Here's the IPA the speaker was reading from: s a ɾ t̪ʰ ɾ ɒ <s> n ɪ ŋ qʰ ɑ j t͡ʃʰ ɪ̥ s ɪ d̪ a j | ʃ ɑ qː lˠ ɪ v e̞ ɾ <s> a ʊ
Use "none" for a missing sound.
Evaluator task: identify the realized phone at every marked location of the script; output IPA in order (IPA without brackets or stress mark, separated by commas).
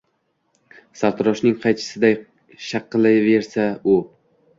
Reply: ʃ, s